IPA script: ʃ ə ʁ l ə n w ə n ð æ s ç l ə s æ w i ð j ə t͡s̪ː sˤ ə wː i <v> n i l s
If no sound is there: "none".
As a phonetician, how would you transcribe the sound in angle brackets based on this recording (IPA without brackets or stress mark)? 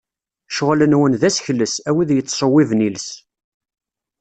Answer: v